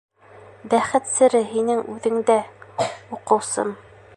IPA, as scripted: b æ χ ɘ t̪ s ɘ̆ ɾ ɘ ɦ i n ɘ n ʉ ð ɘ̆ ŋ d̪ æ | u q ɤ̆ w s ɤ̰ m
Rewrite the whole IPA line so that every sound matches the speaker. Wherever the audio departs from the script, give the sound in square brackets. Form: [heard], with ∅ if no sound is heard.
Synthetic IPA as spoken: b æ χ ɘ t̪ s ɘ̆ ɾ ɘ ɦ i n ɘ [ŋ] ʉ ð ɘ̆ ŋ d̪ æ | u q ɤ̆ w s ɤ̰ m